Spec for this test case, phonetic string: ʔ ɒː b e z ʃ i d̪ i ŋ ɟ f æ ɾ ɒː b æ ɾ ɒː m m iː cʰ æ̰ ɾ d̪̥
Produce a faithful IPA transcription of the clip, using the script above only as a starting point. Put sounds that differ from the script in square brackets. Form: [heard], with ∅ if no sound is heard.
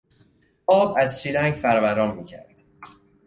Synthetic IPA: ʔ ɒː b [æ] z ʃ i d̪ [æ] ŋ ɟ f æ ɾ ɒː [v] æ ɾ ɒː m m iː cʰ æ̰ ɾ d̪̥